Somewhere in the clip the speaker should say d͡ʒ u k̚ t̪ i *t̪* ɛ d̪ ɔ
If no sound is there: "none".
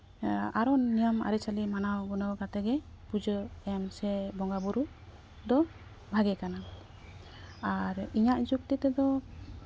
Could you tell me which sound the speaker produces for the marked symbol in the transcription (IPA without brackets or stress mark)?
t̪